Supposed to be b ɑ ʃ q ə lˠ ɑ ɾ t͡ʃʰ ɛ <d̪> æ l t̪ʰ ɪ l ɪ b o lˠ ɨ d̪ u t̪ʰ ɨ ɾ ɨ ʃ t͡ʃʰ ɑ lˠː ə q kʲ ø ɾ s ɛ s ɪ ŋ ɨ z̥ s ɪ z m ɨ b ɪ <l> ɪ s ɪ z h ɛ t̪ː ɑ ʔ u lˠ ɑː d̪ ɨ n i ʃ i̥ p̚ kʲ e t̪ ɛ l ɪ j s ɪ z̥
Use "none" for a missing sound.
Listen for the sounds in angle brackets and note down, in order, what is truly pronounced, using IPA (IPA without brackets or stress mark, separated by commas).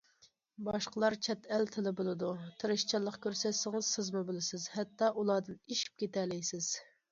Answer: t̪, l